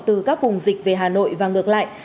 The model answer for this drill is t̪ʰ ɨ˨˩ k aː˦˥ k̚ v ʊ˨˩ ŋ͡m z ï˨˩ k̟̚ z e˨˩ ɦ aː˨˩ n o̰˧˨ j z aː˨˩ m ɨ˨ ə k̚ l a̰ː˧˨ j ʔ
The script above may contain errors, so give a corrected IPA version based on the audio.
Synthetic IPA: t̪ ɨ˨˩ k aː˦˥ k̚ v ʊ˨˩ ŋ͡m z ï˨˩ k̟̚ v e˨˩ ɦ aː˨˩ n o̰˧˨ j v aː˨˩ ŋ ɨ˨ ə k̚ l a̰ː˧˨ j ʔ